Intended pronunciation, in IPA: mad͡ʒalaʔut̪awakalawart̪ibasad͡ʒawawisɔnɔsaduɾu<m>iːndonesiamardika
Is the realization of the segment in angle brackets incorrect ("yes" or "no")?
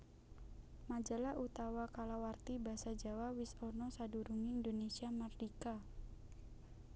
yes